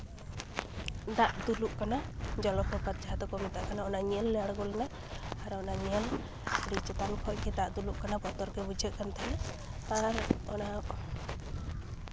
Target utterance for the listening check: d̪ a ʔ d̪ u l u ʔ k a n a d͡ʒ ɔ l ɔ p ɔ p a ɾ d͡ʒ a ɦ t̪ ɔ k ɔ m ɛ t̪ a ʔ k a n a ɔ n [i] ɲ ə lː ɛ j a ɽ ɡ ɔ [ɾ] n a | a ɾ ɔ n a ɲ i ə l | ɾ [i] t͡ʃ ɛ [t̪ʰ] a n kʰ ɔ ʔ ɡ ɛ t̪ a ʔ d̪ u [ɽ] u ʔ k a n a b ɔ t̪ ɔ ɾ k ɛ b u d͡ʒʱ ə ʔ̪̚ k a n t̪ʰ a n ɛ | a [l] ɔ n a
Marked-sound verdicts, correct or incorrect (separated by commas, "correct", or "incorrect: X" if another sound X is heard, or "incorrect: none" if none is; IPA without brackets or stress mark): incorrect: a, incorrect: l, correct, incorrect: t̪, incorrect: l, incorrect: ɾ